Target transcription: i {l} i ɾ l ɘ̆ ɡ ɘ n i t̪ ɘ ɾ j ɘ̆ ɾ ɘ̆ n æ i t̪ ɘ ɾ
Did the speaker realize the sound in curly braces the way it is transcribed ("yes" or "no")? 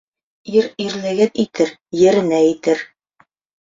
no